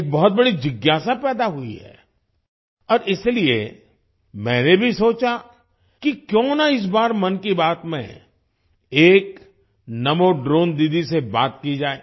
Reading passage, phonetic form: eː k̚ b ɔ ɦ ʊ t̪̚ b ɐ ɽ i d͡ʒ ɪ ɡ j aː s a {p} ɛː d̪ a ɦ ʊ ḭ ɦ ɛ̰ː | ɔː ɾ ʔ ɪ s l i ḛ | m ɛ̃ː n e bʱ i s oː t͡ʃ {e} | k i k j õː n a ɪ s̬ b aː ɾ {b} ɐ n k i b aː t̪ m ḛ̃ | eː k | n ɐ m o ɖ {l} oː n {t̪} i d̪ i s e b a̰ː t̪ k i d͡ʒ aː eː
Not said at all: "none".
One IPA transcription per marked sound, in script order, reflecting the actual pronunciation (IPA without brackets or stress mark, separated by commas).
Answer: p, a, m, ɾ, d̪